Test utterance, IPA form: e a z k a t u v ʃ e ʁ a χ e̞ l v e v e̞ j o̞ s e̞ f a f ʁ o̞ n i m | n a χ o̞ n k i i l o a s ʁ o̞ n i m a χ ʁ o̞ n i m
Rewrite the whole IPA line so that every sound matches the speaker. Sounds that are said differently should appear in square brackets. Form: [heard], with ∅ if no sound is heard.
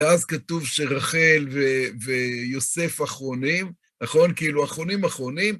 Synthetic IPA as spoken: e a z k a t u v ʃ e ʁ a χ e̞ l v e v e̞ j o̞ s e̞ f a [χ] ʁ o̞ n i m | n a χ o̞ n k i i l [u] a [χ] ʁ o̞ n i m a χ ʁ o̞ n i m